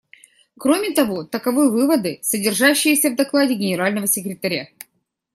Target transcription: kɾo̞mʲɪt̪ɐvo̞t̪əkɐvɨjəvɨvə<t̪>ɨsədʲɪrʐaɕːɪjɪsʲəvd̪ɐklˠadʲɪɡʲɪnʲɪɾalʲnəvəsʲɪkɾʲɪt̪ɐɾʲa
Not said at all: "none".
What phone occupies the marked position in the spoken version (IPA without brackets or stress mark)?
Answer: d̪